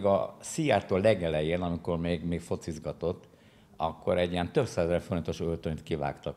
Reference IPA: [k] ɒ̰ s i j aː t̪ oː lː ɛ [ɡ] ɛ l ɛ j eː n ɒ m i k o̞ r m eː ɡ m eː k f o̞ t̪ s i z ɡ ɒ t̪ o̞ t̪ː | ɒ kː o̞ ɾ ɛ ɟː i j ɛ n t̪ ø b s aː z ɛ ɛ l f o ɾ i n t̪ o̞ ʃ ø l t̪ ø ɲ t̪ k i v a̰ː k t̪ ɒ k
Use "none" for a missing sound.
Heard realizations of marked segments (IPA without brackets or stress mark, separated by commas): ɡ, ɡ